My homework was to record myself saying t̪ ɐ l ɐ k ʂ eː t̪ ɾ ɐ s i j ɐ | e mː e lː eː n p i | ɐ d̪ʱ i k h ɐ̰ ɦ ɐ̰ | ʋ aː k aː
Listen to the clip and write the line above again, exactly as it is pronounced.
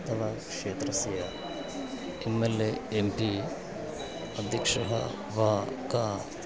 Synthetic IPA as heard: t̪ ɐ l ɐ k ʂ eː t̪ ɾ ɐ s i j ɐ | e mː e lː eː m p i | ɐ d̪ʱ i k ʂ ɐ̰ ɦ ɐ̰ | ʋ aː k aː